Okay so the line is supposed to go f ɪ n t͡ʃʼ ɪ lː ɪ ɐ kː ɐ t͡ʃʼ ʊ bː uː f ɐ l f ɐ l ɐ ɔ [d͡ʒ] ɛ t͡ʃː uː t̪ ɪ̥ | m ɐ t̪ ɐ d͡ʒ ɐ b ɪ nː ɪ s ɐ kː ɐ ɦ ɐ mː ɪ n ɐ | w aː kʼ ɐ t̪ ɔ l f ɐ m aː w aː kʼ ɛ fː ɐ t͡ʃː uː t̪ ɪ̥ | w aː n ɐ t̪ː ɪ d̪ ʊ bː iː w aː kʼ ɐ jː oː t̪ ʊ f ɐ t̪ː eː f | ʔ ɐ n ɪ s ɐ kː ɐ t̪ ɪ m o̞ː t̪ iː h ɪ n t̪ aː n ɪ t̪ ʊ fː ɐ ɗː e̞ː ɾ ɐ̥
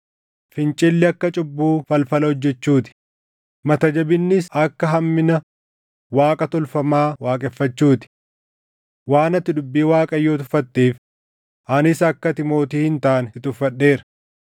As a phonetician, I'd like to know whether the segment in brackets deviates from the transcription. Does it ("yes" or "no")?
yes